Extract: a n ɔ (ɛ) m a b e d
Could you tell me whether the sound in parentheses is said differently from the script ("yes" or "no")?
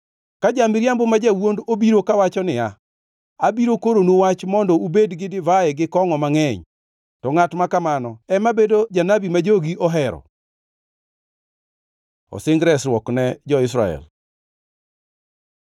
no